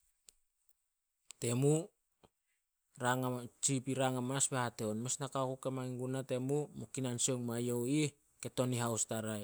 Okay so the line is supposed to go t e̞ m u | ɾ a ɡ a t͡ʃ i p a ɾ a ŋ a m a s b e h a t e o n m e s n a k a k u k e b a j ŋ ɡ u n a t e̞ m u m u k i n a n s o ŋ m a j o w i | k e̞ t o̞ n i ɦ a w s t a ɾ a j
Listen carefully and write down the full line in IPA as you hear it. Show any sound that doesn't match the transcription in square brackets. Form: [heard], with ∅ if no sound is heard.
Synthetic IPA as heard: t e̞ m u | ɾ a [ŋ] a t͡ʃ i p [i] ɾ a ŋ a m a s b e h a t e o n m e s n a k a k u k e [m] a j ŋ ɡ u n a t e̞ m u m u k i n a n s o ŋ m a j o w i | k e̞ t o̞ n i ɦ a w s t a ɾ a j